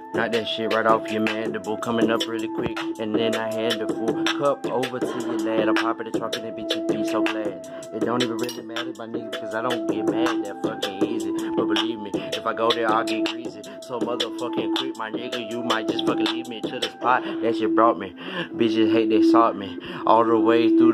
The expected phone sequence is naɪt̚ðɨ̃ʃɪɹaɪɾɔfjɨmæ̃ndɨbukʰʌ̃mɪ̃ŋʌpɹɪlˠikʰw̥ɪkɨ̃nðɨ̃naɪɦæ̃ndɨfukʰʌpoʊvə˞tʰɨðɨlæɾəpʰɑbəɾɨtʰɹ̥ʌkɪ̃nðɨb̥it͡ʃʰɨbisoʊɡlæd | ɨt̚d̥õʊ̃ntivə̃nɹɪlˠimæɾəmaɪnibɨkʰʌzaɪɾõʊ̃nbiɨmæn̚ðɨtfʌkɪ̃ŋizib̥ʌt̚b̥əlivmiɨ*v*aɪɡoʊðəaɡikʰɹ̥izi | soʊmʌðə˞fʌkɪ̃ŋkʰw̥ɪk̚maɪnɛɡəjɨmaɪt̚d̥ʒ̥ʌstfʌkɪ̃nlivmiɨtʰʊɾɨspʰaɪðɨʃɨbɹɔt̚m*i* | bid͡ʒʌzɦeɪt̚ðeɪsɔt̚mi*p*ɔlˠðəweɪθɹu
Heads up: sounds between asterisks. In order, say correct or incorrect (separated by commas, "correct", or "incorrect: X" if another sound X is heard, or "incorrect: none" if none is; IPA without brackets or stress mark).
incorrect: f, correct, incorrect: ʔ